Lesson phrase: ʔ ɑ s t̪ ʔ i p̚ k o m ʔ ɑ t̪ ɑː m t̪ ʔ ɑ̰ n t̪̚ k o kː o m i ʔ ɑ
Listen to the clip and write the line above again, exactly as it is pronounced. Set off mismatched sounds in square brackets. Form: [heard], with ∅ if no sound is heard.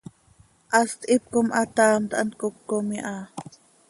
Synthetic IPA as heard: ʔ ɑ s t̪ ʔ i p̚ k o m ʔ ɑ t̪ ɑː m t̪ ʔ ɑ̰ n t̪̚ k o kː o m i ʔ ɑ